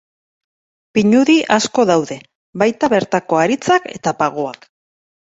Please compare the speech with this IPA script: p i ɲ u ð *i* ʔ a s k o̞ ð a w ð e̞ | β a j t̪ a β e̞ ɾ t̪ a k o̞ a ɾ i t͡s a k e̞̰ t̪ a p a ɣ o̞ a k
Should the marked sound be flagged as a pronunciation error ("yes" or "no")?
no